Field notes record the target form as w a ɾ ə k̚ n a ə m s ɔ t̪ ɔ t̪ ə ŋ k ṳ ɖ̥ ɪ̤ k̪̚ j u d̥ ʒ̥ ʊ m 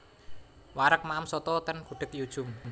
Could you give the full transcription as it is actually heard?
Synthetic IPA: w a ɾ ə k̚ m a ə m s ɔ t̪ ɔ t̪ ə n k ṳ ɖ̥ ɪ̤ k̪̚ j u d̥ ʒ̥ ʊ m